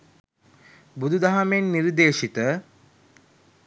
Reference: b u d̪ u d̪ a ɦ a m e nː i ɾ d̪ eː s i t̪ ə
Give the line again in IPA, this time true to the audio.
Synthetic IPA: b u d̪ u d̪ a ɦ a m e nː i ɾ d̪ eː ʃ i t̪ ə